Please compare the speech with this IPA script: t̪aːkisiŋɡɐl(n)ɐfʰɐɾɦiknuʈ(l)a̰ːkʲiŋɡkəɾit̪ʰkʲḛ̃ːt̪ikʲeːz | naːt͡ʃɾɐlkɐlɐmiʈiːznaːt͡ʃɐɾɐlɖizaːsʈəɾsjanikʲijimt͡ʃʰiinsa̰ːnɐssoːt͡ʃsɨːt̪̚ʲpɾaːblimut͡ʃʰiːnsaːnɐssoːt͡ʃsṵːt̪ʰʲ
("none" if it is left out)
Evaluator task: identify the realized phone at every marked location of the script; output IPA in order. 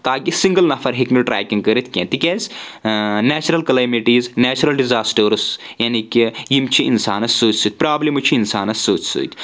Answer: n, ɾ

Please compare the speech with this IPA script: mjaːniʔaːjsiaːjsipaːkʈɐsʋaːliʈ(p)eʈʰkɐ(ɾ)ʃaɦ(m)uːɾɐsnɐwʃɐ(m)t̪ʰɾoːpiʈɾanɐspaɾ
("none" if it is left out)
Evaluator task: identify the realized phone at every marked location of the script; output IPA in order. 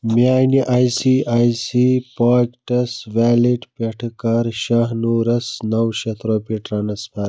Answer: p, ɾ, n, none

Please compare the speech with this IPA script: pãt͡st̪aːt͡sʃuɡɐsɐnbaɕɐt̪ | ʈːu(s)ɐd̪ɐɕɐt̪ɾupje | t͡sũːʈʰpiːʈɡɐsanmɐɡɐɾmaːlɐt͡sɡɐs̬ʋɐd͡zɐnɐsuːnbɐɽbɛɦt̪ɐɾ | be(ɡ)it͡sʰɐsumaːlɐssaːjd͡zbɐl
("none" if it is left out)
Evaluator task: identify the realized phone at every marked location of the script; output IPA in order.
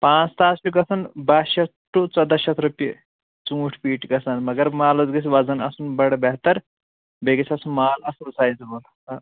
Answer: t͡s, ɡ

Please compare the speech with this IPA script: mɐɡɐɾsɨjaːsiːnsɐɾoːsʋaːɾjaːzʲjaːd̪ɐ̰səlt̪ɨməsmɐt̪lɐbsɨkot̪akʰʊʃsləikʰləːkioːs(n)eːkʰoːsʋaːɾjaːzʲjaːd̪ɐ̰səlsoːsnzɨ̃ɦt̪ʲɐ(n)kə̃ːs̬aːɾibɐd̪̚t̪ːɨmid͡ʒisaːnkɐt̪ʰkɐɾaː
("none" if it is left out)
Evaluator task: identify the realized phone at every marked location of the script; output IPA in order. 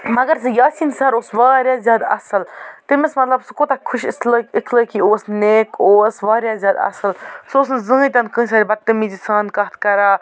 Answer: n, n

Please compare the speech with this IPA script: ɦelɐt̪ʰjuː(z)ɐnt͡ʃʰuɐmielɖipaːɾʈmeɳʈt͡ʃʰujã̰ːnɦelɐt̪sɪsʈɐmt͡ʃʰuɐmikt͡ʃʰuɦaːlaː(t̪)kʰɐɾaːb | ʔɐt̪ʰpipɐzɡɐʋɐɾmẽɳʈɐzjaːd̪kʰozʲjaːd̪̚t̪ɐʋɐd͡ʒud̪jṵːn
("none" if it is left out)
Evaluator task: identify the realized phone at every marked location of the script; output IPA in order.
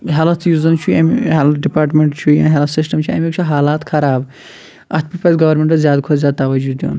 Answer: z, t̪

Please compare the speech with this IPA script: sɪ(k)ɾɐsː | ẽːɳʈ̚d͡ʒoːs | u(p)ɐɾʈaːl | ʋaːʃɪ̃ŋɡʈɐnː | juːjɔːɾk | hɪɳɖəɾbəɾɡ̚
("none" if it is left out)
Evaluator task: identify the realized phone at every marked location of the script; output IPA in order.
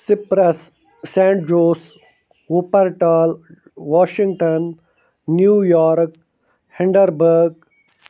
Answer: p, p

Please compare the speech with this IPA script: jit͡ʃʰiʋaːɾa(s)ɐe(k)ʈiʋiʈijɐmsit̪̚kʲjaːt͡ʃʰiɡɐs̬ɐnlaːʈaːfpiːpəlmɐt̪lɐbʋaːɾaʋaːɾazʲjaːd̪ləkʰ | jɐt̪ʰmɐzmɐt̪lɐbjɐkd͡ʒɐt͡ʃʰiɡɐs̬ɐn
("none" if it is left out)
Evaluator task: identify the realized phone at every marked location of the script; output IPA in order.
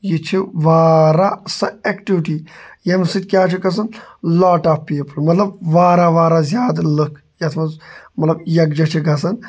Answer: s, k

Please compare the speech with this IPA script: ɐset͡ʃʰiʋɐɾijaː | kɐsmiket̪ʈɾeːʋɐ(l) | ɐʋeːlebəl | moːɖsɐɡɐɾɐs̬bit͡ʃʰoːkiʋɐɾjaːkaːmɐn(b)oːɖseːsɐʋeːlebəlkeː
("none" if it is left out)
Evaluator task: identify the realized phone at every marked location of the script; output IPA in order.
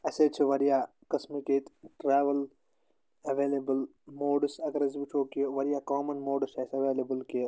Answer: l, m

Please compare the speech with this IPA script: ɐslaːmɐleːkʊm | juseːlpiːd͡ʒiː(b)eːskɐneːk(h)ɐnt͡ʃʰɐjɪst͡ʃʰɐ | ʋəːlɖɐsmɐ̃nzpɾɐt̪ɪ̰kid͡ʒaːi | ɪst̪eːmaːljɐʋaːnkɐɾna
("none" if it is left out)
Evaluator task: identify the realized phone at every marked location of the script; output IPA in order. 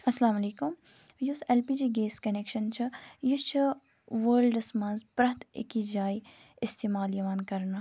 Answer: ɡ, ʃ

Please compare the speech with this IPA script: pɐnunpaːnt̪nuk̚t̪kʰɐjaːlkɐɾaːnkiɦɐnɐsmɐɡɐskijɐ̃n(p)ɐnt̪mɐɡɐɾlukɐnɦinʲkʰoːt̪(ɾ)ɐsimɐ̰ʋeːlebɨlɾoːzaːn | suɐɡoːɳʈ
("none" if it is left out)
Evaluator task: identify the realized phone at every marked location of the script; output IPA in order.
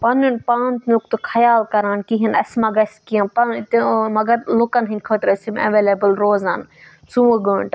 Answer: p, ɾ

